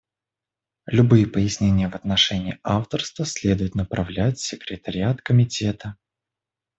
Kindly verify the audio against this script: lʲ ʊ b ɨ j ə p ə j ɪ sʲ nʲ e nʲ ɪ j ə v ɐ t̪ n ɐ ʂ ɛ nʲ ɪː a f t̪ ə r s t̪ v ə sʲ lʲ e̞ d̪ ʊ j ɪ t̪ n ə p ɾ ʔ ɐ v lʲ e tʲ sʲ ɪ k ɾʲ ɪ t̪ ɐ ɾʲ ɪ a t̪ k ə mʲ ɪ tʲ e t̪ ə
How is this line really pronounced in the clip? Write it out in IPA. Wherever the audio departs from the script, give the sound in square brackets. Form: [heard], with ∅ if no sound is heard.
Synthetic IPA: lʲ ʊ b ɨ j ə p ə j ɪ sʲ nʲ e nʲ ɪ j ə v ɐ t̪ n ɐ ʂ ɛ nʲ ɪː a f t̪ ə r s t̪ v ə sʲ lʲ e̞ d̪ ʊ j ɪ t̪ n ə p ɾ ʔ ɐ v lʲ [æ] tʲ sʲ ɪ k ɾʲ ɪ t̪ [ə] ɾʲ ɪ a t̪ k ə mʲ ɪ tʲ e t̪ ə